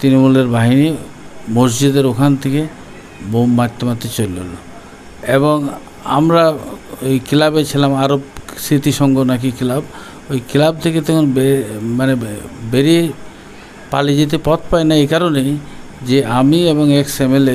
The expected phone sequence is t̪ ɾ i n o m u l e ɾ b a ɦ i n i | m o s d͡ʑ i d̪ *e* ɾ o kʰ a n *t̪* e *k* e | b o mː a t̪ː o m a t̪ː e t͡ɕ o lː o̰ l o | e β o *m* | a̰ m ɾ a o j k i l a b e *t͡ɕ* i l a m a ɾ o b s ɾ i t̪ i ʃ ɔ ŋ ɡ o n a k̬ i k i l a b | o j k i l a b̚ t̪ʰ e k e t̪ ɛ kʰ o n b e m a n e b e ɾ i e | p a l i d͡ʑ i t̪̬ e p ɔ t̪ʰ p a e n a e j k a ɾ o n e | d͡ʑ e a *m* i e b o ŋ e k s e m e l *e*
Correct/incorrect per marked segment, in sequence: correct, incorrect, correct, incorrect, incorrect, correct, correct

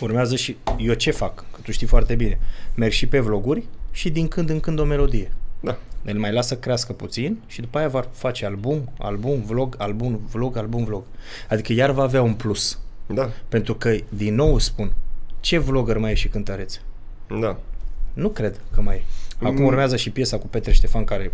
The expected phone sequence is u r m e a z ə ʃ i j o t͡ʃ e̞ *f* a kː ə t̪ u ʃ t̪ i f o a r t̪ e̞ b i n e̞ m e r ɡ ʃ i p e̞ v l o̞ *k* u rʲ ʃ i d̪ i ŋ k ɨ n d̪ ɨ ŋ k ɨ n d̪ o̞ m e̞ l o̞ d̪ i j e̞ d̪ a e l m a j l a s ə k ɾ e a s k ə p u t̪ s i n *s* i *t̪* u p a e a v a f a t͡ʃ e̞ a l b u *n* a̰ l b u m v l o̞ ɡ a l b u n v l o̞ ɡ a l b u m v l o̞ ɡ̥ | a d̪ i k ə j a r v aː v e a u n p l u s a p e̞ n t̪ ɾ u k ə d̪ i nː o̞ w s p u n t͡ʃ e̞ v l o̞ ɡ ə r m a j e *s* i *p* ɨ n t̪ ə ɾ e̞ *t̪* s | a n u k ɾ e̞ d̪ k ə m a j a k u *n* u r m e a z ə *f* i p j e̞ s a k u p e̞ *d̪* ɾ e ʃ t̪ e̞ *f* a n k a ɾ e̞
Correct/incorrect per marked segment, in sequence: correct, incorrect, incorrect, incorrect, incorrect, incorrect, incorrect, correct, incorrect, incorrect, incorrect, correct

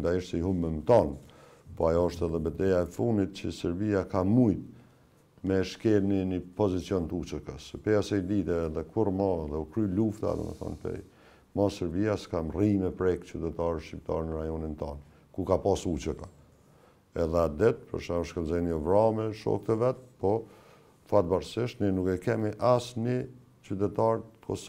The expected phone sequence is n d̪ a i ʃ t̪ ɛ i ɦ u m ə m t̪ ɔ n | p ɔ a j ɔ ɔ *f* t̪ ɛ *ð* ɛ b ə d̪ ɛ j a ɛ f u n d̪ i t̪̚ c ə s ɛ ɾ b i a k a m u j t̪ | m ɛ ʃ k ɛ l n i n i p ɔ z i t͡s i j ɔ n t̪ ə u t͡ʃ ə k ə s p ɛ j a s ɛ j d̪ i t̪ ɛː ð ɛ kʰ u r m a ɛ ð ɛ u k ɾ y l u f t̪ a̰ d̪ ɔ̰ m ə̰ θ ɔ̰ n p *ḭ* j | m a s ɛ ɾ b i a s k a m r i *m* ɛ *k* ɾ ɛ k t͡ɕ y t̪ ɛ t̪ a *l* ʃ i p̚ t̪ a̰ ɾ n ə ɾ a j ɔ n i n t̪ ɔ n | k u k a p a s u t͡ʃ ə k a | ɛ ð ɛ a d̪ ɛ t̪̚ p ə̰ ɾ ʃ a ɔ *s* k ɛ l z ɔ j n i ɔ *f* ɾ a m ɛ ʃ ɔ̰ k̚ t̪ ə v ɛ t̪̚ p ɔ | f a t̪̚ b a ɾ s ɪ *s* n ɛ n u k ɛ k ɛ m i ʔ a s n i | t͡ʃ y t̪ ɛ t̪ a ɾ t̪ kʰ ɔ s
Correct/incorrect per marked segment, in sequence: incorrect, correct, incorrect, correct, incorrect, incorrect, incorrect, incorrect, incorrect

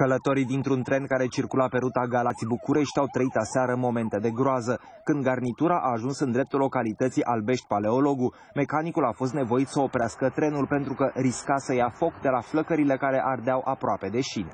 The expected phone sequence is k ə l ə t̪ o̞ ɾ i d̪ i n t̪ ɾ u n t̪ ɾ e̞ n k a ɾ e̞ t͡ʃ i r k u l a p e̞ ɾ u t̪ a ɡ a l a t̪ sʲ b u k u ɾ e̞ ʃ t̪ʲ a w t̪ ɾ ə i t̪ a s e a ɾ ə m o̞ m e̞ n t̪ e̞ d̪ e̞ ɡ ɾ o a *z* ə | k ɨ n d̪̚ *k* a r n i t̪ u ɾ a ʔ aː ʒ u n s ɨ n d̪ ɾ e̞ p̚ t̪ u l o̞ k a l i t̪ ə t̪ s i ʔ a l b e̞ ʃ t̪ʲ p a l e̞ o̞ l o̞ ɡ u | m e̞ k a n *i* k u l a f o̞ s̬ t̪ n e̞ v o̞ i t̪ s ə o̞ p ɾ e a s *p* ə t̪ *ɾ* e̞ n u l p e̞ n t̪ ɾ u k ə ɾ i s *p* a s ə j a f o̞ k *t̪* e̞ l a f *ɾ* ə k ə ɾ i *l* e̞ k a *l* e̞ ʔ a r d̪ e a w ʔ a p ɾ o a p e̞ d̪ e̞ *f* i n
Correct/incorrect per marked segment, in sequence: correct, incorrect, correct, incorrect, correct, incorrect, incorrect, incorrect, correct, incorrect, incorrect

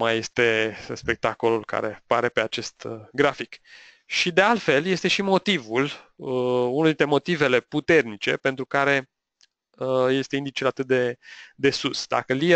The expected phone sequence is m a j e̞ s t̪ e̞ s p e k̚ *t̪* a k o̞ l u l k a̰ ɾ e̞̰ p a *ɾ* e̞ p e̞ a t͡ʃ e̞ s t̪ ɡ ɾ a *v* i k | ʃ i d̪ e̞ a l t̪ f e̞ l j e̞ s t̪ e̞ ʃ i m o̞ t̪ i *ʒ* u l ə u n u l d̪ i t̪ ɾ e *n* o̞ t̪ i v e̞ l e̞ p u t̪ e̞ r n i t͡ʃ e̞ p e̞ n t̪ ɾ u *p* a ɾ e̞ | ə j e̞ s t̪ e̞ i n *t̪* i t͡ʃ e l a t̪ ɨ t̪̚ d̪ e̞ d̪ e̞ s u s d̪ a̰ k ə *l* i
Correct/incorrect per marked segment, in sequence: correct, correct, incorrect, incorrect, incorrect, incorrect, incorrect, correct

